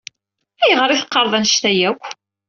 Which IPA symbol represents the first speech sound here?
æ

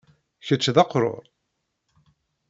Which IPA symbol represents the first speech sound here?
ç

